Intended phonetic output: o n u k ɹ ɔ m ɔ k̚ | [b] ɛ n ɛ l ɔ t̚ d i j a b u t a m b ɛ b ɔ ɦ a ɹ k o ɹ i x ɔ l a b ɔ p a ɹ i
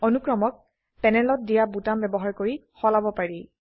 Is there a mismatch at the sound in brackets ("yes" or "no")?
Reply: yes